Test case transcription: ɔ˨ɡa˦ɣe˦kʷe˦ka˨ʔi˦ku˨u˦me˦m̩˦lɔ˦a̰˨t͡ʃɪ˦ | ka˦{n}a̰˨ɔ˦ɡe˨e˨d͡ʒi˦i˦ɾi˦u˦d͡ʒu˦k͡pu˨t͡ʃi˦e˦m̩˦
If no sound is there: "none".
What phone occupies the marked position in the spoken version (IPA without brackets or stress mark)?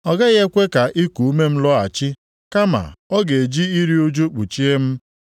m